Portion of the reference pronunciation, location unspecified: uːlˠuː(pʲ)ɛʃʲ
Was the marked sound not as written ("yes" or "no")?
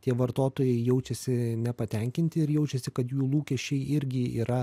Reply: yes